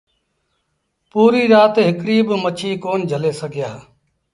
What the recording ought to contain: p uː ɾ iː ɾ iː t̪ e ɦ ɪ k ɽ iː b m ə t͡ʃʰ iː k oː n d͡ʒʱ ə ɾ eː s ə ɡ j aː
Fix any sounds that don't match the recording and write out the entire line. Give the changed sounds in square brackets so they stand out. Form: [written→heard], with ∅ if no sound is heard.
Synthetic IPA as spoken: p uː ɾ iː ɾ [iː→aː] t̪ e ɦ ɪ k ɽ iː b m ə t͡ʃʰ iː k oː n d͡ʒʱ ə [ɾ→l] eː s ə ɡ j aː